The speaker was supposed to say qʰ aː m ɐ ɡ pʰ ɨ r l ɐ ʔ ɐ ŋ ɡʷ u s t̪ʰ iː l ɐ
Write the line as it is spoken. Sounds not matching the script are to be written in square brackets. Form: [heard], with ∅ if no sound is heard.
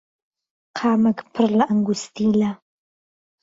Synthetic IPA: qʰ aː m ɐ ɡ pʰ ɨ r l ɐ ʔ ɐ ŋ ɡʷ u s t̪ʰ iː l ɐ